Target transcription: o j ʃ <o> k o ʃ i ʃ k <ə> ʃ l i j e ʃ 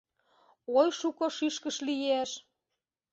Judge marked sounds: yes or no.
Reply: no, yes

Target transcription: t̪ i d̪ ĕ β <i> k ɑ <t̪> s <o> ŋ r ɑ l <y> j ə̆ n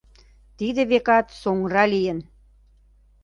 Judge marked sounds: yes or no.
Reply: no, yes, yes, no

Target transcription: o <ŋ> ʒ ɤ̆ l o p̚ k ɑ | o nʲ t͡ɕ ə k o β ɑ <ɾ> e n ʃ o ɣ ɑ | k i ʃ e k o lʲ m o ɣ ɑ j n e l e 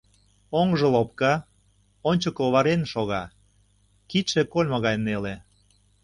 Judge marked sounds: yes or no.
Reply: yes, yes

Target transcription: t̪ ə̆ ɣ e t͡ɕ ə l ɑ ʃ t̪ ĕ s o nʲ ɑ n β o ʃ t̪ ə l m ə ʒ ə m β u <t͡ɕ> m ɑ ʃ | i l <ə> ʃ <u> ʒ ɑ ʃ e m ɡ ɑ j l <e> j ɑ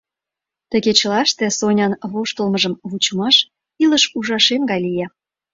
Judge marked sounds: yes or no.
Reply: yes, yes, yes, no

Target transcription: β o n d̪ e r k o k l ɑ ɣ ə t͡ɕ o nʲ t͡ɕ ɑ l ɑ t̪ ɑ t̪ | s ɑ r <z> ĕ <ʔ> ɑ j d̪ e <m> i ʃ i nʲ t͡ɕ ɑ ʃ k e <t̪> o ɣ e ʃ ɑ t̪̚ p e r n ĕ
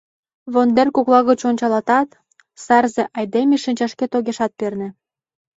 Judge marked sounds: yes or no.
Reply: yes, yes, yes, yes

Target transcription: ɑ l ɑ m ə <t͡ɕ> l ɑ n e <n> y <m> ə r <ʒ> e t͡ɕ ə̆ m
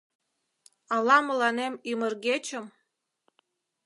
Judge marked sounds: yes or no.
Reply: no, no, yes, no

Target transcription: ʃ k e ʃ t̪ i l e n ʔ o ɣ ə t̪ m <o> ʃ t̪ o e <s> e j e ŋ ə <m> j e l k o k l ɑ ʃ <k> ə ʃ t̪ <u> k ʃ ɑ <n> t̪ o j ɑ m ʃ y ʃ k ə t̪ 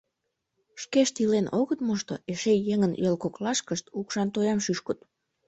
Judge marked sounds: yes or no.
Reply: yes, no, no, yes, yes, yes

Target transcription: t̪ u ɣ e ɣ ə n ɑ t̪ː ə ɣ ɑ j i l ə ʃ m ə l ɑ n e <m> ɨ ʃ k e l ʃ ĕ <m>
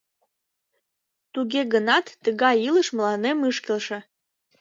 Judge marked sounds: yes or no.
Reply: yes, no

